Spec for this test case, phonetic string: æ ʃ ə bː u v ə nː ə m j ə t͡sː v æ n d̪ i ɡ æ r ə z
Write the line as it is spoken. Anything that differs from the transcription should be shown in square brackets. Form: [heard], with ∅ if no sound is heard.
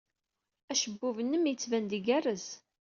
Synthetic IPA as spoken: æ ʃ ə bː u v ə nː ə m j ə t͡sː v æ n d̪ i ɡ æ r ə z